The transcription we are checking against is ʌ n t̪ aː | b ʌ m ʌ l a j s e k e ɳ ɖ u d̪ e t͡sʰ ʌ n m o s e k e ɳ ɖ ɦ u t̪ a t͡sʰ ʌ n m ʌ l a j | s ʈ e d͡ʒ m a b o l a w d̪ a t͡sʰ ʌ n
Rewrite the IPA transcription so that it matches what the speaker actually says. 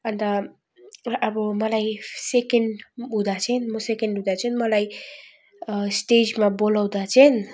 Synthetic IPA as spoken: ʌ n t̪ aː | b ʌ m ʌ l a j s e k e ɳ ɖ u d̪ a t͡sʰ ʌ n m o s e k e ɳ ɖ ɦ u d̪ a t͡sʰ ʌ n m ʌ l a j | s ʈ e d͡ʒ m a b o l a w d̪ a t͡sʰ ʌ n